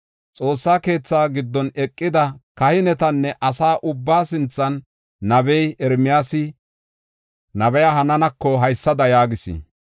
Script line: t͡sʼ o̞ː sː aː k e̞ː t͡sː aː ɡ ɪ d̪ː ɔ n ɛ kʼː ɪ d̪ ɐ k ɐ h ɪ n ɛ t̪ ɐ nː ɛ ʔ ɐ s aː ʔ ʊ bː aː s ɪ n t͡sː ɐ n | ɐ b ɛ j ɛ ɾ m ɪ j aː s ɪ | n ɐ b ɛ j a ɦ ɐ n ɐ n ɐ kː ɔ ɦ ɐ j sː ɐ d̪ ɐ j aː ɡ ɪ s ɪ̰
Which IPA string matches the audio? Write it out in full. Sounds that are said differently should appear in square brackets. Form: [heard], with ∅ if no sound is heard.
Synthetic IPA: t͡sʼ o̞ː sː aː k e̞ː t͡sː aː ɡ ɪ d̪ː ɔ n ɛ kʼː ɪ d̪ ɐ k ɐ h ɪ n ɛ t̪ ɐ nː ɛ ʔ ɐ s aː ʔ ʊ bː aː s ɪ n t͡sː ɐ [nː] | ɐ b ɛ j ɛ ɾ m ɪ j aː s ɪ | n ɐ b ɛ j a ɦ ɐ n ɐ n ɐ kː ɔ ɦ ɐ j sː ɐ d̪ ɐ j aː ɡ ɪ s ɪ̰

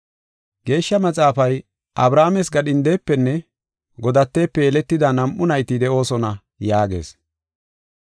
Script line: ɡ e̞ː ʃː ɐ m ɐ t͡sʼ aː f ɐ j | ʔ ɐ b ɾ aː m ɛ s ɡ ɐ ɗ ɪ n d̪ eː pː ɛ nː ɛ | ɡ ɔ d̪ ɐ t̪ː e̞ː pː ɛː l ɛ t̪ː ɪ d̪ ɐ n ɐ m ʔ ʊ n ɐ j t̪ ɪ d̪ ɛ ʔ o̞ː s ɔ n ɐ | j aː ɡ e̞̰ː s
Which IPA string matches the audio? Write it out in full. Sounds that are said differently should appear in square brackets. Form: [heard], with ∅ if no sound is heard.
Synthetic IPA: ɡ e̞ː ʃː ɐ m ɐ t͡sʼ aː f ɐ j | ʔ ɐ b ɾ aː m ɛ s ɡ ɐ ɗ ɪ n d̪ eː pː ɛ nː ɛ | ɡ ɔ d̪ ɐ t̪ː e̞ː pː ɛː l ɛ t̪ː ɪ d̪ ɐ n ɐ m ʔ ʊ n ɐ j t̪ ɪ d̪ ɛ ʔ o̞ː s ɔ n ɐ | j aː ɡ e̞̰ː s

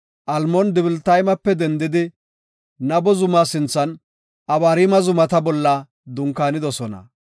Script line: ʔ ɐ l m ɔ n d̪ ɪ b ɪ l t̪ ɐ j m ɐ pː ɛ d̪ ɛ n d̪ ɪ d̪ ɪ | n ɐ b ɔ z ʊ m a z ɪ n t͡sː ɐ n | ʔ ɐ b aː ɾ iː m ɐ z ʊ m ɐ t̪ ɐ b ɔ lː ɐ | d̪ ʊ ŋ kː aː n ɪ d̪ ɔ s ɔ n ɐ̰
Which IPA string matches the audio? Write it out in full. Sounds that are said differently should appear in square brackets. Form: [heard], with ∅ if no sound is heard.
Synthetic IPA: ʔ ɐ l m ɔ n d̪ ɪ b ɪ l t̪ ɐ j m ɐ pː ɛ d̪ ɛ n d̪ ɪ d̪ ɪ | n ɐ b ɔ z ʊ m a [s] ɪ n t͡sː ɐ n | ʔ ɐ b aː ɾ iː m ɐ z ʊ m ɐ t̪ ɐ b ɔ lː ɐ | d̪ ʊ ŋ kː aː n ɪ d̪ ɔ s ɔ n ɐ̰

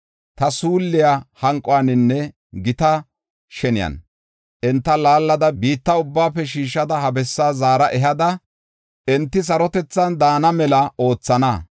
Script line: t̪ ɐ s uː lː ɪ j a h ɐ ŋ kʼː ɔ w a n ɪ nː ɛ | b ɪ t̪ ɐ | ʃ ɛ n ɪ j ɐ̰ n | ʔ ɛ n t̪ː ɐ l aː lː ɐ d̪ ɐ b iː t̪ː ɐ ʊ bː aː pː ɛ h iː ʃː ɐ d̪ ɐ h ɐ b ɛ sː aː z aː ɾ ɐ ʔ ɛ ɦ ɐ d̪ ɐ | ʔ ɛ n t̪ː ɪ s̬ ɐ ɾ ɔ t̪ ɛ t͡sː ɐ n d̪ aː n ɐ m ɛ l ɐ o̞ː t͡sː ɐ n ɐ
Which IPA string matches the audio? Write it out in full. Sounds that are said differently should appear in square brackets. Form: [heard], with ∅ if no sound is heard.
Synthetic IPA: t̪ ɐ s uː lː ɪ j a h ɐ ŋ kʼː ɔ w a n ɪ nː ɛ | [ɡ] ɪ t̪ ɐ | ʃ ɛ n ɪ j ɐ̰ n | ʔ ɛ n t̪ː ɐ l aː lː ɐ d̪ ɐ b iː t̪ː ɐ ʊ bː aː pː ɛ [ʃ] iː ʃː ɐ d̪ ɐ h ɐ b ɛ sː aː z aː ɾ ɐ ʔ ɛ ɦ ɐ d̪ ɐ | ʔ ɛ n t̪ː ɪ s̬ ɐ ɾ ɔ t̪ ɛ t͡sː ɐ n d̪ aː n ɐ m ɛ l ɐ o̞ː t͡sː ɐ n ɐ

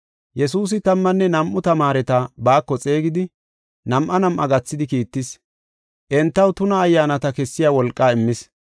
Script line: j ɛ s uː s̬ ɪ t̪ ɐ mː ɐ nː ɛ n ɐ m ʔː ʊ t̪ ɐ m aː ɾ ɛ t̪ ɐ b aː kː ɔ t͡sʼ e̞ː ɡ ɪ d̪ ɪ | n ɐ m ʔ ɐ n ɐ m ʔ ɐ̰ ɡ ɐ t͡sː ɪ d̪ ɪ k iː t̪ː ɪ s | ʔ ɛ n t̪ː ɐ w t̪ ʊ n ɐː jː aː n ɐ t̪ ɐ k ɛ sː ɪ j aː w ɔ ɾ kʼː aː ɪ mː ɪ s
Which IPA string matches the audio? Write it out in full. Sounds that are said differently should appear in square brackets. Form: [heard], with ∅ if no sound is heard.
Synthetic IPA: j ɛ s uː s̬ ɪ t̪ ɐ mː ɐ nː ɛ n ɐ m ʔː ʊ t̪ ɐ m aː ɾ ɛ t̪ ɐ b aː kː ɔ t͡sʼ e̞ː ɡ ɪ d̪ ɪ | n ɐ m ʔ ɐ n ɐ m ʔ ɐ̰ ɡ ɐ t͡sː ɪ d̪ ɪ k iː t̪ː ɪ s | ʔ ɛ n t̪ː ɐ w t̪ ʊ n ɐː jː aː n ɐ t̪ ɐ k ɛ sː ɪ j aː w ɔ [l] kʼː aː ɪ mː ɪ s

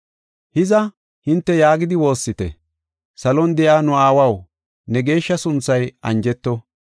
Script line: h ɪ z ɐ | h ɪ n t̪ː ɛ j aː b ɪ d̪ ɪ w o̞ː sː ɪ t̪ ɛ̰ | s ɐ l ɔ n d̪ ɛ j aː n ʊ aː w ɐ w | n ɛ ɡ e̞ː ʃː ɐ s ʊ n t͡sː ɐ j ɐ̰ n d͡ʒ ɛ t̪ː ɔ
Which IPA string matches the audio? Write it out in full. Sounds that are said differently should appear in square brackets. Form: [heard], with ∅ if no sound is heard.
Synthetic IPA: h ɪ z ɐ | h ɪ n t̪ː ɛ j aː [ɡ] ɪ d̪ ɪ w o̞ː sː ɪ t̪ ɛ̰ | s ɐ l ɔ n d̪ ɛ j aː n ʊ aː w ɐ w | n ɛ ɡ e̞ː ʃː ɐ s ʊ n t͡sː ɐ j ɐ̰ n d͡ʒ ɛ t̪ː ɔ

